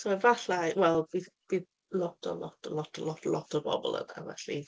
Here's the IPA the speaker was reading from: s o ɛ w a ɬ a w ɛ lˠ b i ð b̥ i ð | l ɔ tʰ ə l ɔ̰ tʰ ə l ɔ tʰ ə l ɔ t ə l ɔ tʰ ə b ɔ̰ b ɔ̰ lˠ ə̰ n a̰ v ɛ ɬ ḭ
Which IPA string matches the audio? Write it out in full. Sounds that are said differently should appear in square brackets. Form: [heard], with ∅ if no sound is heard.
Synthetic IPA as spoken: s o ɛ [v] a ɬ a w ɛ lˠ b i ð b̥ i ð | l ɔ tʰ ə l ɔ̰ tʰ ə l ɔ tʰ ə l ɔ t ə l ɔ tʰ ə b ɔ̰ b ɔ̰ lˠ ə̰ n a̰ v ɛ ɬ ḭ